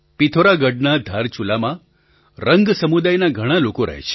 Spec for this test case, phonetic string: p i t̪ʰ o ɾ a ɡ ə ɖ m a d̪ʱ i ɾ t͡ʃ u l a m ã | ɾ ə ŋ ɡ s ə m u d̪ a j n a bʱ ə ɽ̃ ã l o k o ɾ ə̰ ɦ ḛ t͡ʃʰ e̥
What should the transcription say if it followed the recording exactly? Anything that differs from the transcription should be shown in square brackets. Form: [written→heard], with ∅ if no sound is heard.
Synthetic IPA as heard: p i t̪ʰ o ɾ a ɡ ə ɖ [m→n] a d̪ʱ [i→a] ɾ t͡ʃ u l a m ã | ɾ ə ŋ ɡ s ə m u d̪ a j n a [bʱ→ɡʱ] ə ɽ̃ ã l o k o ɾ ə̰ ɦ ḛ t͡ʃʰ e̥